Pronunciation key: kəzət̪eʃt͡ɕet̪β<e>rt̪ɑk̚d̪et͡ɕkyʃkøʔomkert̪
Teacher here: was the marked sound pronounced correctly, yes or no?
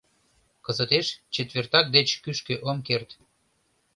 yes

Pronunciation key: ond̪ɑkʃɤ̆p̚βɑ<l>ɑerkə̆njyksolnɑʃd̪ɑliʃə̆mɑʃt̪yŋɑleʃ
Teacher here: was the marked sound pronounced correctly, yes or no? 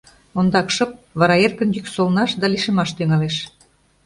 no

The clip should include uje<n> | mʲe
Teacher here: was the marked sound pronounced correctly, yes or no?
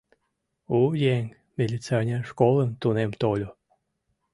no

